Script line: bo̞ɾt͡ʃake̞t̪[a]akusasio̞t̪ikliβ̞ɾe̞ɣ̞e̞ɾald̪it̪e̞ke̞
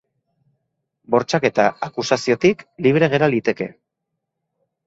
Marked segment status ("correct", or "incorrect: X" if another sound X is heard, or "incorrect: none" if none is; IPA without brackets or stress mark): correct